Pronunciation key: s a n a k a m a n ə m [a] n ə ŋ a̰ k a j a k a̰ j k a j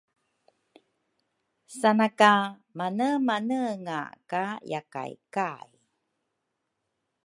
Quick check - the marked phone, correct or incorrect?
correct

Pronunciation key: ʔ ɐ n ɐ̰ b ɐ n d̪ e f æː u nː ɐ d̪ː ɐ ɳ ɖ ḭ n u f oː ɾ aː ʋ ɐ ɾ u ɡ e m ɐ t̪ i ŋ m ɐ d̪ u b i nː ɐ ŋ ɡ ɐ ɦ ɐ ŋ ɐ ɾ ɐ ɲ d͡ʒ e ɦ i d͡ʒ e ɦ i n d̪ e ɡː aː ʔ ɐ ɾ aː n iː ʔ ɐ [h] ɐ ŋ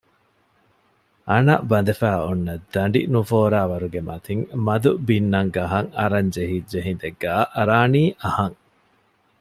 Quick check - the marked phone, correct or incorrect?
correct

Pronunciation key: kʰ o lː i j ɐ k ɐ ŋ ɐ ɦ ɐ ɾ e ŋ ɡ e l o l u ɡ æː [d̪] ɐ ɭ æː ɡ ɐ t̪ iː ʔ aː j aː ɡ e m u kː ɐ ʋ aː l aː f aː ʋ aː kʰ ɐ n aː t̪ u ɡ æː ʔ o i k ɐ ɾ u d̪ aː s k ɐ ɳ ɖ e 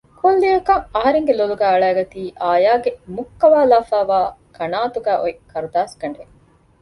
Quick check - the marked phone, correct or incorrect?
incorrect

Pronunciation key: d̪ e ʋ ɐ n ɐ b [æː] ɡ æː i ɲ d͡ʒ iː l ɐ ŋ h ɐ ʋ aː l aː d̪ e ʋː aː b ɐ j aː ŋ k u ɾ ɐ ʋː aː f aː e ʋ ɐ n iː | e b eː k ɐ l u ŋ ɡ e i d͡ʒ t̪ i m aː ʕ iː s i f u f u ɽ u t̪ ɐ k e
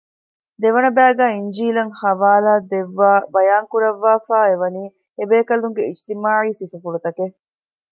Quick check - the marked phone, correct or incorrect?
correct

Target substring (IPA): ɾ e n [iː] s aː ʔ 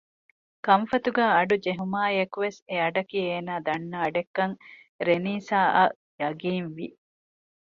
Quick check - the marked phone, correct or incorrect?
correct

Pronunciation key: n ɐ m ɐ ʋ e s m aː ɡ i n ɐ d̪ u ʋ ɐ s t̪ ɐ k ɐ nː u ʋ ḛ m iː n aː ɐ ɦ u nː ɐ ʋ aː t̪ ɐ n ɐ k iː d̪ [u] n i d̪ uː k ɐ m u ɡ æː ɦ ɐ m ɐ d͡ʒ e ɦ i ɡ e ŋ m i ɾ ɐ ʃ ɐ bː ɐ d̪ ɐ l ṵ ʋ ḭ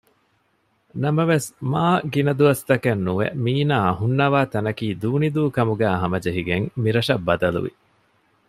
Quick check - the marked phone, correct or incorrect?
incorrect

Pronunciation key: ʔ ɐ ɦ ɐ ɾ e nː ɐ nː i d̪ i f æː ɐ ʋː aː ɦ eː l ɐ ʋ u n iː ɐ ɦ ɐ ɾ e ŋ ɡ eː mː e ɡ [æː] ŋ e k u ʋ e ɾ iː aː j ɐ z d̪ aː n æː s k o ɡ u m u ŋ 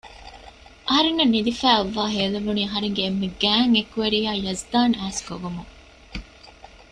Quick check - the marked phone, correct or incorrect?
correct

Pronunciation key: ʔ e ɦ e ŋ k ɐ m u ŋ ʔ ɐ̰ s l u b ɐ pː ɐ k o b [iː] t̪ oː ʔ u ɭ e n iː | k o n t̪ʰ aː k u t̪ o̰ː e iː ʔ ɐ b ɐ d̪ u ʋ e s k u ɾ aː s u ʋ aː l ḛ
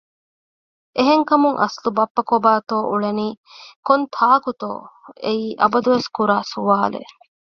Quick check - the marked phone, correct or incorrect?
incorrect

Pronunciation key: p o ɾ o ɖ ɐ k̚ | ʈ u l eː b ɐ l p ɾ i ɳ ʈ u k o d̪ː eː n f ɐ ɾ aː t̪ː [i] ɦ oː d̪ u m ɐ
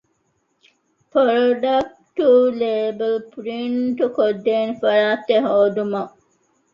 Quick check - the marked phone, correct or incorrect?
incorrect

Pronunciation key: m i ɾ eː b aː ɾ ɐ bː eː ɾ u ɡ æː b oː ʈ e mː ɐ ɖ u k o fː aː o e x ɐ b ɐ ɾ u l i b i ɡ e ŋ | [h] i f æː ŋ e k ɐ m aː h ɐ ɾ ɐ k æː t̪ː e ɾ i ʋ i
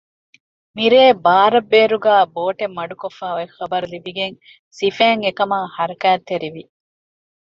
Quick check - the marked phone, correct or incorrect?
incorrect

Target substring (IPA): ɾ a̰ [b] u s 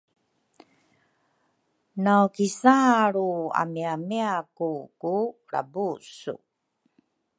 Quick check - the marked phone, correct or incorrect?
correct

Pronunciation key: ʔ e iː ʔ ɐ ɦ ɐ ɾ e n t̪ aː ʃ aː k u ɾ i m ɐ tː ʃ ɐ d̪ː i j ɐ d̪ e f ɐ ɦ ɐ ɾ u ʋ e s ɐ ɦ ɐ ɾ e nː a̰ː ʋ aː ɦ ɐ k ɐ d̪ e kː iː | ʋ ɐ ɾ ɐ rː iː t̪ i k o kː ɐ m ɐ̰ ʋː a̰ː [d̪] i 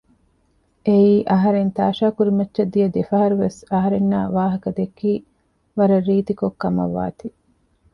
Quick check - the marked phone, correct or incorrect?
incorrect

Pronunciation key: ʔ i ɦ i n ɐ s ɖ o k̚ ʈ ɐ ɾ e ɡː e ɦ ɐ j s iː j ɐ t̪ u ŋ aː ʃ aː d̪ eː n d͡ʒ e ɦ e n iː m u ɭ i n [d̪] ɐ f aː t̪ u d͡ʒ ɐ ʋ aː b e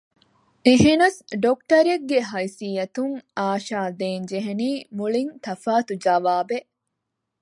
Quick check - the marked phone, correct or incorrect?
incorrect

